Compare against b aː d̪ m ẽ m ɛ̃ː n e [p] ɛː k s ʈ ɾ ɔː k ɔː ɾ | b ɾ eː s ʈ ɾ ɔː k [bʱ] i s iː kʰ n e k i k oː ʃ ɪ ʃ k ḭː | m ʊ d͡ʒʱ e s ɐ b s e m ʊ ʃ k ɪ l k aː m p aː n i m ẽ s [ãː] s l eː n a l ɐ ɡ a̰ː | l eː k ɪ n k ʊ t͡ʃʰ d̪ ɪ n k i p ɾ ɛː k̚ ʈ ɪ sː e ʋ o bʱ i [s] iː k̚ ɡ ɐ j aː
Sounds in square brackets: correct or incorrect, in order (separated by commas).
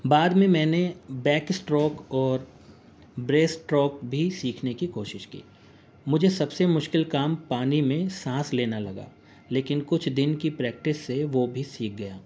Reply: incorrect, correct, correct, correct